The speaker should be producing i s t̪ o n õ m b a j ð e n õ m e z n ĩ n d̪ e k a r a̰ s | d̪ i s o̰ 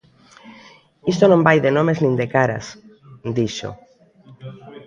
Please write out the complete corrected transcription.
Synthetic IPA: i s t̪ o n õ m b a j ð e n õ m e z n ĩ n d̪ e k a ɾ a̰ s | d̪ i ʃ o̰